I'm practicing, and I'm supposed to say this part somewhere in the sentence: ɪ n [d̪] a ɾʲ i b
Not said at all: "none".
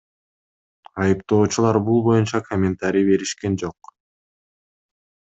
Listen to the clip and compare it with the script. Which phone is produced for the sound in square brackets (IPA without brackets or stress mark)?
t̪